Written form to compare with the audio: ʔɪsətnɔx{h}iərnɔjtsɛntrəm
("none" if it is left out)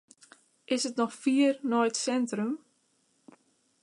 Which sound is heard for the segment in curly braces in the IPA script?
f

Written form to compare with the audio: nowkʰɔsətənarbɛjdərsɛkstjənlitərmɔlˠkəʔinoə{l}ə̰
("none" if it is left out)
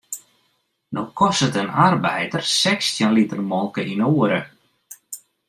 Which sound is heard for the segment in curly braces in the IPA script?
ɾ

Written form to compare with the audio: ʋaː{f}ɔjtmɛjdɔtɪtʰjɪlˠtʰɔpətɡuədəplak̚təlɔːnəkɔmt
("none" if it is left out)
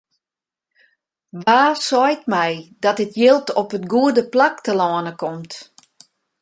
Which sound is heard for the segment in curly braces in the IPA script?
s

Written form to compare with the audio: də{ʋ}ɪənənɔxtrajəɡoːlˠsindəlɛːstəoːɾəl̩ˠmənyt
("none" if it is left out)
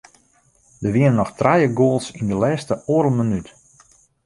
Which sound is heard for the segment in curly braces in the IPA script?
ʋ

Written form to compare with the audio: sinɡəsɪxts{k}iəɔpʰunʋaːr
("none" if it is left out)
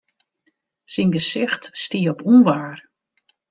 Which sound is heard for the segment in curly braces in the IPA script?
t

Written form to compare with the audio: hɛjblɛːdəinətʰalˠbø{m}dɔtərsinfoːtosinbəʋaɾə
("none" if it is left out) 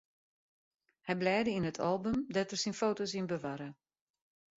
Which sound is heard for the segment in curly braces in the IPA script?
m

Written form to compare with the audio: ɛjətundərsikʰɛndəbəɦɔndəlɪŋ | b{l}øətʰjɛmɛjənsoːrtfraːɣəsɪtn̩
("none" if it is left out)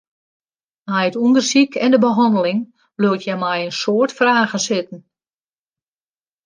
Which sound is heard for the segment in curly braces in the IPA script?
l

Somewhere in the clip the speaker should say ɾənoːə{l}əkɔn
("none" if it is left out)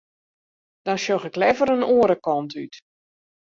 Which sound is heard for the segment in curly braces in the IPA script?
ɾ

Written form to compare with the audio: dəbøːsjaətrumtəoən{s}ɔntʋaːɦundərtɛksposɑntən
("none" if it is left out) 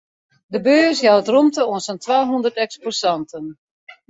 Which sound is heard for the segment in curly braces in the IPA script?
s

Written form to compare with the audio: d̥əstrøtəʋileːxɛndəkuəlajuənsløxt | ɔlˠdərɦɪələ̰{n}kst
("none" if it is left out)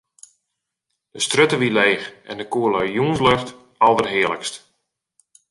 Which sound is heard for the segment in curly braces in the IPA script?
none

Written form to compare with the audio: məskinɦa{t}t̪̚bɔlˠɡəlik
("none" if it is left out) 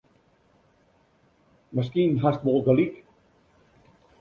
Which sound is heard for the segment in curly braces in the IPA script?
s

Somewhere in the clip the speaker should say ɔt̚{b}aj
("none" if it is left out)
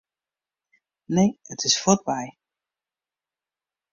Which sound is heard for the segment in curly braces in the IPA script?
b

